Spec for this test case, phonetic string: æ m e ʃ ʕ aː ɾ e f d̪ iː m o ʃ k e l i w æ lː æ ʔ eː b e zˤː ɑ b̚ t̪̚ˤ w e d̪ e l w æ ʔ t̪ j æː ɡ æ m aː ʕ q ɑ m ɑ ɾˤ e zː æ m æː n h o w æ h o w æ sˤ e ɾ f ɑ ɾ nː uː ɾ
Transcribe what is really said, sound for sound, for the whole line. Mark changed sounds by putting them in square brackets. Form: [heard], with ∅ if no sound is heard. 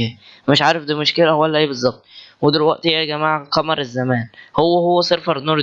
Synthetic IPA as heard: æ m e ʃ ʕ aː ɾ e f d̪ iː m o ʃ k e l [æ] w æ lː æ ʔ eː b e zˤː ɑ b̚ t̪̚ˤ w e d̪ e l w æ ʔ t̪ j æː ɡ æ m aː ʕ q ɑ m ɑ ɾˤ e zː æ m æː n h o [wː] æ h o [wː] æ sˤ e ɾ f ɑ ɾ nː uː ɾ